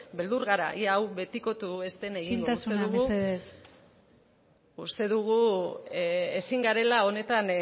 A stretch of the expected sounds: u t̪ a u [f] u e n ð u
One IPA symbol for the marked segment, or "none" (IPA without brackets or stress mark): s